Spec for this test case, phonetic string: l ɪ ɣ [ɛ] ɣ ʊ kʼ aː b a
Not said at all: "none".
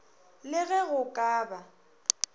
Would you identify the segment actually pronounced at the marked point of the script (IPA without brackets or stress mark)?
ɛ